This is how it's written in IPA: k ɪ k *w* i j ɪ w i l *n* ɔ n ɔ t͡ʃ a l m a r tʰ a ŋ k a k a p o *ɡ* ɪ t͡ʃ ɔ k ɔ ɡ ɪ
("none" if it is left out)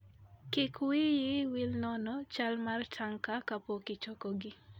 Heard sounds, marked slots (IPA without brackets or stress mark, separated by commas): w, n, k